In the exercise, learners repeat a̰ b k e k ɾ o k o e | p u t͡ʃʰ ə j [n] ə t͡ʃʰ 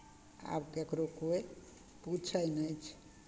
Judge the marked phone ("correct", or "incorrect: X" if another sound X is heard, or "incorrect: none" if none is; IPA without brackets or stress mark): correct